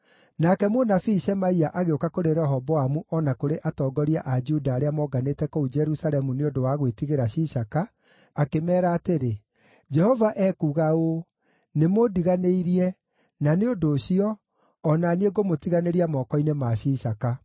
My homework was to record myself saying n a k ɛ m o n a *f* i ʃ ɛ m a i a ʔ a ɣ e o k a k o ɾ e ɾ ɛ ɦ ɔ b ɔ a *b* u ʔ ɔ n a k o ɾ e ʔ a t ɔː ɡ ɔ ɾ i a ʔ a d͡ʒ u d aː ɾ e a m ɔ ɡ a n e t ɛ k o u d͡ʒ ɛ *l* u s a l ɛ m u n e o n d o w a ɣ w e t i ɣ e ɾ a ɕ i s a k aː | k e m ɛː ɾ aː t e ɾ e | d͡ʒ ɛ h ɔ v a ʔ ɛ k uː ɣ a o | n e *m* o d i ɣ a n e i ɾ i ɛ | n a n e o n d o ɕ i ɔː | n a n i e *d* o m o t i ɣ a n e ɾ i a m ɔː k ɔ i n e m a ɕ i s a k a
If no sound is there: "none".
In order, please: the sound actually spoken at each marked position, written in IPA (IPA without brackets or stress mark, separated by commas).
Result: f, m, ɾ, m, ɡ